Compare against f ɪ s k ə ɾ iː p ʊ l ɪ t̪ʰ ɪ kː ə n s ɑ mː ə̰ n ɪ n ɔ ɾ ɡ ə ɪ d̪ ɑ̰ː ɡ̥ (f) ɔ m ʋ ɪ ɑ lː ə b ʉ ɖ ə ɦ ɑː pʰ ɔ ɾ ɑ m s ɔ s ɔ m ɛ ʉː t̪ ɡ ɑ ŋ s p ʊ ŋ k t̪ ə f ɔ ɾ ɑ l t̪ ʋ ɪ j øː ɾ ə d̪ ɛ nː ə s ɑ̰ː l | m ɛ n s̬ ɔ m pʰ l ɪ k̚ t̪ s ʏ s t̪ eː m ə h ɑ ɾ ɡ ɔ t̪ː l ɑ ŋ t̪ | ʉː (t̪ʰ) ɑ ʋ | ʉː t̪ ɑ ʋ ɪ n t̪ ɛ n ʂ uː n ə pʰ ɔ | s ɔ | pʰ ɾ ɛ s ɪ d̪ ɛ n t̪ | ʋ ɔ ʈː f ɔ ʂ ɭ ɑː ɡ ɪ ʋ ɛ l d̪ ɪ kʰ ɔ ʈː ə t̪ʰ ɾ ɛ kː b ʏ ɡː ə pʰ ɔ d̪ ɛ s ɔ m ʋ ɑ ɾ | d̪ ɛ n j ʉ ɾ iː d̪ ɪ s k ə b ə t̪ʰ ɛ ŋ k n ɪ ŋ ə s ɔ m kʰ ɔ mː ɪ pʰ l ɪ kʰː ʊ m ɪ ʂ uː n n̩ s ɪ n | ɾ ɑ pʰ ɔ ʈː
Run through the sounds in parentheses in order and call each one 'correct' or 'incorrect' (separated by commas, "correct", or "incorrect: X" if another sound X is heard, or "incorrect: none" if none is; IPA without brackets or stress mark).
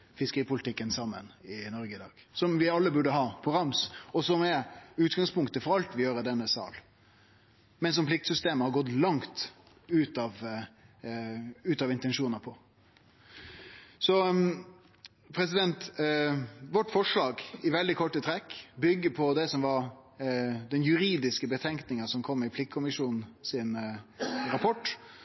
incorrect: s, incorrect: t̪